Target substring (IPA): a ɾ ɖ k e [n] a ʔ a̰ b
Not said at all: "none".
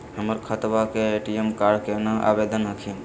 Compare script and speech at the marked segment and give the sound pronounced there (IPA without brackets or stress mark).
n